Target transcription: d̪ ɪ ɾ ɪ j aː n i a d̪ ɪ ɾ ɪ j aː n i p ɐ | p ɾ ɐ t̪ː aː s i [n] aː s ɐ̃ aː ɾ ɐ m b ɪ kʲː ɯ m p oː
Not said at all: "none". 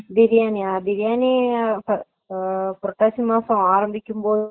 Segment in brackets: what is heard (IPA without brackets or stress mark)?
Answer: m